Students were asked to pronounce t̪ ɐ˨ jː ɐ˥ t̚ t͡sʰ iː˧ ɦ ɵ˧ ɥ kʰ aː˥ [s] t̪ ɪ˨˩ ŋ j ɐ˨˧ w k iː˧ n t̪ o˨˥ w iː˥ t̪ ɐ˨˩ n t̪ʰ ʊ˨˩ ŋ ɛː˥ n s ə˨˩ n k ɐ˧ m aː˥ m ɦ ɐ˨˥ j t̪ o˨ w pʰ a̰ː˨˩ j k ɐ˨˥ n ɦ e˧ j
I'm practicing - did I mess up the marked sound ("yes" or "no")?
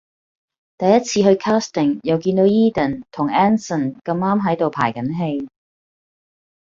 no